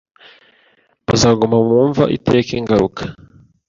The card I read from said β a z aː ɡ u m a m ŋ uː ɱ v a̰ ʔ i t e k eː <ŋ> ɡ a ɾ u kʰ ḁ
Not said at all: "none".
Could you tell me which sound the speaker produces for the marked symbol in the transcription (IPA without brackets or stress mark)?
ŋ